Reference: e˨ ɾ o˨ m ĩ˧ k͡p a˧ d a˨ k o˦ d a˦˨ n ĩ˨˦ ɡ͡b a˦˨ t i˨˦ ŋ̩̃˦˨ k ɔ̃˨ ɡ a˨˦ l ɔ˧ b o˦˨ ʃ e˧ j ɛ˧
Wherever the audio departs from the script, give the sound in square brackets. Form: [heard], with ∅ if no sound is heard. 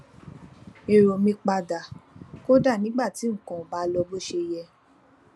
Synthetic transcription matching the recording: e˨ ɾ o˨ m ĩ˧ k͡p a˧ d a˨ k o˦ d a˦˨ n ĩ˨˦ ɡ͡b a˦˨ t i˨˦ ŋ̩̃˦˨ k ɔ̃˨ [b] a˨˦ l ɔ˧ b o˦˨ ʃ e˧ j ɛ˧